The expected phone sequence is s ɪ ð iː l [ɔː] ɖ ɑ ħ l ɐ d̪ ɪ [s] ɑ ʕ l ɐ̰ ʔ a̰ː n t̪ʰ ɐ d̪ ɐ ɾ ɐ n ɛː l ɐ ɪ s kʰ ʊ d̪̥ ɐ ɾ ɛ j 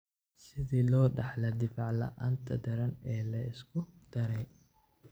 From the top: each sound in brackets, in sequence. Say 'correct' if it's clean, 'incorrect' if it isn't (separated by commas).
correct, incorrect